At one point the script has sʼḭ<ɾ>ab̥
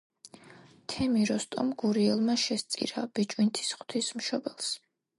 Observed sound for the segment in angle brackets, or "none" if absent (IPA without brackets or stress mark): ɾ